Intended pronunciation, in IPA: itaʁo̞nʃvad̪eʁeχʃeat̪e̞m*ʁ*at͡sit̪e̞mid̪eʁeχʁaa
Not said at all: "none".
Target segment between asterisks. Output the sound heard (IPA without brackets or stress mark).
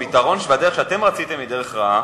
ʁ